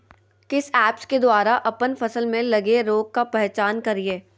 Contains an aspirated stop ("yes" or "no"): no